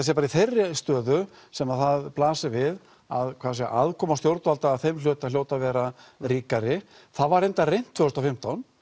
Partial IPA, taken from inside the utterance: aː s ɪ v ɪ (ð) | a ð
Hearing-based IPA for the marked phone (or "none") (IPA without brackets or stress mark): ð